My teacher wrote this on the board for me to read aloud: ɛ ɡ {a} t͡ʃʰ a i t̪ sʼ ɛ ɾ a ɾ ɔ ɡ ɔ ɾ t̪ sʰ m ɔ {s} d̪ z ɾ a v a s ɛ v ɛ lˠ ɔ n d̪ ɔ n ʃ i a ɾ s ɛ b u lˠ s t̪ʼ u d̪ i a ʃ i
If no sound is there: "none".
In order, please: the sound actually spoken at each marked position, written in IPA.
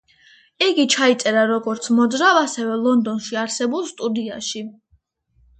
i, none

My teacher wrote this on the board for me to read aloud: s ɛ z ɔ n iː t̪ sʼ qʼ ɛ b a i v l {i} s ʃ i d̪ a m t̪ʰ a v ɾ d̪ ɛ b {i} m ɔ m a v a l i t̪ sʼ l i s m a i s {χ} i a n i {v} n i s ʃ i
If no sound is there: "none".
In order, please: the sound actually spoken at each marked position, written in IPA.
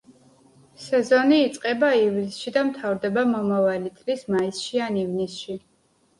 i, a, ʃ, v

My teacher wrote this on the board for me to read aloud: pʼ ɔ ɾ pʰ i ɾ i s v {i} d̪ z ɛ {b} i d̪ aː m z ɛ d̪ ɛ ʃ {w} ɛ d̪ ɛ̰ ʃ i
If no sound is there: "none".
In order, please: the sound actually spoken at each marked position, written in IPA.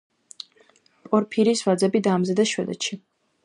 a, b, w

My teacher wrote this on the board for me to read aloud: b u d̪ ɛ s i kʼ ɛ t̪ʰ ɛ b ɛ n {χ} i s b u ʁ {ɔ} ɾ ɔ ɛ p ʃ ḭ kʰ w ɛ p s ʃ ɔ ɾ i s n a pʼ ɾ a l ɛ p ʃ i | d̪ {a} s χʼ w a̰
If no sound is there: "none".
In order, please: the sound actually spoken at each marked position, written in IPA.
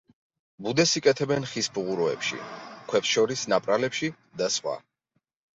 χ, u, a

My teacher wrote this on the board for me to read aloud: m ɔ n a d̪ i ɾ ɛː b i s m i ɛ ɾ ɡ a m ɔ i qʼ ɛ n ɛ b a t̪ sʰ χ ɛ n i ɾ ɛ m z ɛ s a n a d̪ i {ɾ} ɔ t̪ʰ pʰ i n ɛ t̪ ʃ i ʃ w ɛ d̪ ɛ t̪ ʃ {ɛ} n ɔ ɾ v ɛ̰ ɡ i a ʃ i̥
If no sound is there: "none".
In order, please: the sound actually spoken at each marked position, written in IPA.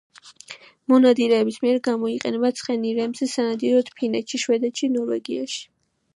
ɾ, i

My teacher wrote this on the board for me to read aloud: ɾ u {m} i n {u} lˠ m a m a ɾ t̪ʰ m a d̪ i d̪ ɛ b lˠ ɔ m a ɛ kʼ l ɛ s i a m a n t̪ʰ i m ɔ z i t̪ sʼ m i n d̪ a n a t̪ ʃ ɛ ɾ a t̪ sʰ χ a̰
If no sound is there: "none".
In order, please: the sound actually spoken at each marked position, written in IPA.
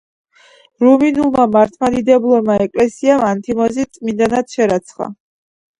m, u

